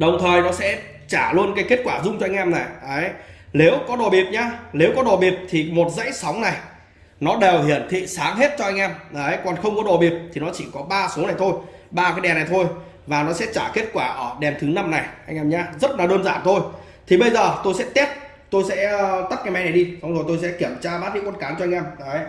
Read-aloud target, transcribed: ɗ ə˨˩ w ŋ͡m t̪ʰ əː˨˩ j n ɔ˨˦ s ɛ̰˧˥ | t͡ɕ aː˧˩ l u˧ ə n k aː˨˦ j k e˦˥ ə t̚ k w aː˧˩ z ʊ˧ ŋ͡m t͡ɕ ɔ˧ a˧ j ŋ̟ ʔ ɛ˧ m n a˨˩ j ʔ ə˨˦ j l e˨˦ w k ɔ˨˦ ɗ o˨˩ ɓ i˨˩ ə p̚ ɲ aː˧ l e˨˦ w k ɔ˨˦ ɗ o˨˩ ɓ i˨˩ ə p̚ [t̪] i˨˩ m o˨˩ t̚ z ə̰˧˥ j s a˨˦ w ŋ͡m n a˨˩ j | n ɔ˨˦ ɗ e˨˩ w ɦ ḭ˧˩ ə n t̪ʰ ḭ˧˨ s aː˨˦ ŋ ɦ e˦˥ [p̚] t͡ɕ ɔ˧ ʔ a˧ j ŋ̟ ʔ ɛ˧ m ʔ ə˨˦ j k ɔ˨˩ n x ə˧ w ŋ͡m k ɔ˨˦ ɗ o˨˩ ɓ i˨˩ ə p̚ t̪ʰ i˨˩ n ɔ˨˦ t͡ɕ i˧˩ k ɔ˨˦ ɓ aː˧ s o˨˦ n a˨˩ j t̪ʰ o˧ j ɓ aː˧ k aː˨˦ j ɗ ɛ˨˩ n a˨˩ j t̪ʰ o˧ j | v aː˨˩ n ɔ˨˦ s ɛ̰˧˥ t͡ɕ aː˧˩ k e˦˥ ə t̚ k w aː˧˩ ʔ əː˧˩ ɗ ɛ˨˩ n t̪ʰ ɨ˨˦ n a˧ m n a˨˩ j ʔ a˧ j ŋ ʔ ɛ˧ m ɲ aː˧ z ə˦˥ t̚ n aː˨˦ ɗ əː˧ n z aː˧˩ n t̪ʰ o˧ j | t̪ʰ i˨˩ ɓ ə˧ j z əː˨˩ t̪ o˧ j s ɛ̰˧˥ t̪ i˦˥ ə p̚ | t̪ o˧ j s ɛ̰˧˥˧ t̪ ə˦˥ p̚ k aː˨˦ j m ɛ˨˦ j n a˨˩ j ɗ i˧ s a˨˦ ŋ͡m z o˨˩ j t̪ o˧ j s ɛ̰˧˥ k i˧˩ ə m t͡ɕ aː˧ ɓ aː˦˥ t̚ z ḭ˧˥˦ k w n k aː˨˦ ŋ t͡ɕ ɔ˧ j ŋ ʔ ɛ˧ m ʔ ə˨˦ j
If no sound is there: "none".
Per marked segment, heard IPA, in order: t̪ʰ, t̚

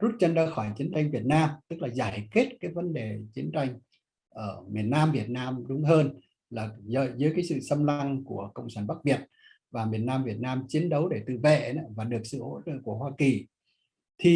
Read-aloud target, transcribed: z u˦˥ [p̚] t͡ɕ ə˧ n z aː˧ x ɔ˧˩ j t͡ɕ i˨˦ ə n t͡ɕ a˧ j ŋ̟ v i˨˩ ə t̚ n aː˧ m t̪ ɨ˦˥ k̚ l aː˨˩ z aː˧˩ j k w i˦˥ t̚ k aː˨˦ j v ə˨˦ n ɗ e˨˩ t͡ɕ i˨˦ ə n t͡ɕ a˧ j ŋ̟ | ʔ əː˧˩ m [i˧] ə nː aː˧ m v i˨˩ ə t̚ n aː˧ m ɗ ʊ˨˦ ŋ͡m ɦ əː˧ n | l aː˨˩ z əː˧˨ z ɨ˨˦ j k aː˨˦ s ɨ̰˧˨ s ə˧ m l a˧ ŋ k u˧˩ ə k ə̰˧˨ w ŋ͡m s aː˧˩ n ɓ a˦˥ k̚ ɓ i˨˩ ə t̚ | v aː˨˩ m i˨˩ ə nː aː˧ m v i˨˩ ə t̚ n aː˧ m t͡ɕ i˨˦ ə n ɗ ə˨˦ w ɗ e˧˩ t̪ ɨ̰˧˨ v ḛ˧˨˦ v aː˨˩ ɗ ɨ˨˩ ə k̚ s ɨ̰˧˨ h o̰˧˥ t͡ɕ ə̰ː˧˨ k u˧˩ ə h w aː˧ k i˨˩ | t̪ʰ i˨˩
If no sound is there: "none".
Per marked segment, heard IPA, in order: t̚, i˨˩

